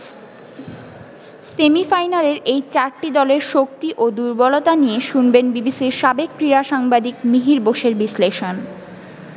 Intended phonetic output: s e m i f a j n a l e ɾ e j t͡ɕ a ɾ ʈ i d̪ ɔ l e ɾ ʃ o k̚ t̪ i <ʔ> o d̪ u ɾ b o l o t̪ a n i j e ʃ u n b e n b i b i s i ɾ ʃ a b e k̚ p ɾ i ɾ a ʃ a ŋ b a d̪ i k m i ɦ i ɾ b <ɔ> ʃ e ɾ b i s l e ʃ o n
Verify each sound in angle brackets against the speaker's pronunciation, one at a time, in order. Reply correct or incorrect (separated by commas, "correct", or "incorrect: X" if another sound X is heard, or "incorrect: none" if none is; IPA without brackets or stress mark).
correct, incorrect: o